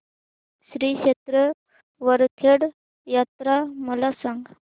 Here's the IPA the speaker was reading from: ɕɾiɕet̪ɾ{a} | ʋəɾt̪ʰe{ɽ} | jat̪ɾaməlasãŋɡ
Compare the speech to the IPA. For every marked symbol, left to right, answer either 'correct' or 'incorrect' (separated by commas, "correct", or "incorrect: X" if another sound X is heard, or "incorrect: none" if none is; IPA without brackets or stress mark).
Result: incorrect: ə, correct